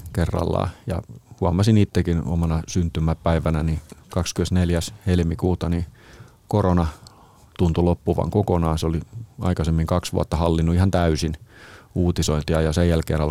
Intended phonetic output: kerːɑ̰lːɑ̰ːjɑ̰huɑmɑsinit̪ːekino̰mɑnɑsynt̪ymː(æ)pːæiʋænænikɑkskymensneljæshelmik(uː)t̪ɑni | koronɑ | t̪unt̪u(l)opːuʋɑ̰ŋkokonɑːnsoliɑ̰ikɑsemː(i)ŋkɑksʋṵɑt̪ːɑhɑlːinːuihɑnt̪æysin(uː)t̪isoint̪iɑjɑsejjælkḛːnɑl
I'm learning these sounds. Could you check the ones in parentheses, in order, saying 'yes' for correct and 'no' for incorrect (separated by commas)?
yes, yes, yes, yes, yes